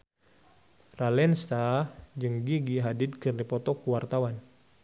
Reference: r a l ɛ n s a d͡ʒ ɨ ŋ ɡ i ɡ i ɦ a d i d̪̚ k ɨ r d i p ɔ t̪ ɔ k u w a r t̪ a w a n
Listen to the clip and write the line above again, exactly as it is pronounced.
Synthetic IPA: r a l ɛ n s a d͡ʒ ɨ ŋ ɡ i ɡ i ɦ a d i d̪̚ k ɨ r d i p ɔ t̪ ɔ k u w a r t̪ a w a n